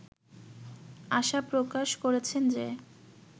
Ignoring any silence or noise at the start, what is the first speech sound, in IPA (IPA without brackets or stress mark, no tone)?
a